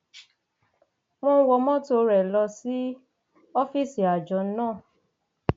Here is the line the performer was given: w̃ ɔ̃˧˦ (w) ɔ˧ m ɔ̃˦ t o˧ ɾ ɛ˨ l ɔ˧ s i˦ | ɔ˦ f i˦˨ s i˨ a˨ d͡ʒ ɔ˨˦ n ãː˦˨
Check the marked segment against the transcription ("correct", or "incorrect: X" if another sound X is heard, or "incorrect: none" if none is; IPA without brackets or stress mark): correct